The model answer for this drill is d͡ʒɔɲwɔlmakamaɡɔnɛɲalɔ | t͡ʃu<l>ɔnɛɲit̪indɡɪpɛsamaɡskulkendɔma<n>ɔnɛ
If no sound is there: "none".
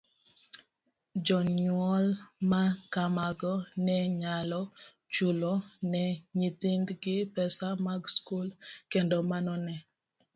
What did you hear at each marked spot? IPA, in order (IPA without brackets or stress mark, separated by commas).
l, n